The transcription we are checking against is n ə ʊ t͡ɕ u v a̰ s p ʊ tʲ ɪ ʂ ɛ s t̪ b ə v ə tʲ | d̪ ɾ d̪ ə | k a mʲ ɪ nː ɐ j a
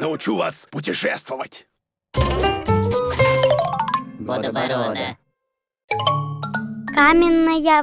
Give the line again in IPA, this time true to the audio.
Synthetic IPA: n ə ʊ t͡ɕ u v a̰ s p ʊ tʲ ɪ ʂ ɛ s t̪ v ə v ə tʲ | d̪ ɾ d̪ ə | k a mʲ ɪ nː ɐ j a